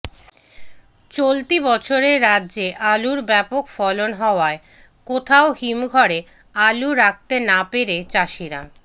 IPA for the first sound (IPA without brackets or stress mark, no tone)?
t͡ɕ